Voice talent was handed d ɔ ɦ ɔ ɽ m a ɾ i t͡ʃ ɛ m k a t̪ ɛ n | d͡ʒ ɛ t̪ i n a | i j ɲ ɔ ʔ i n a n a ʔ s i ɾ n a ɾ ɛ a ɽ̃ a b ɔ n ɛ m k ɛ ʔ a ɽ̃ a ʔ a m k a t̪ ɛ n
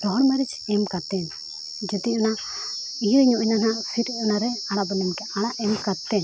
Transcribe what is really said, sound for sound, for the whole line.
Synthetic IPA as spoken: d ɔ ɦ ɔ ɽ m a ɾ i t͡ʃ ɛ m k a t̪ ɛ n | d͡ʒ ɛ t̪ i n a | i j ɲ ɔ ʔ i n a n a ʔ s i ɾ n a ɾ ɛ a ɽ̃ a b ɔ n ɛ m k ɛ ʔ a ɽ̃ a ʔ ɛ m k a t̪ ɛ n